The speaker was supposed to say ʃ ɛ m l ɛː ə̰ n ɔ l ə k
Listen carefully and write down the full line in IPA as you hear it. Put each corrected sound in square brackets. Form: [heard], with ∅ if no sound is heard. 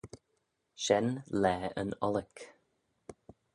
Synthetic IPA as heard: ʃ ɛ [n] l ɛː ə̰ n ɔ l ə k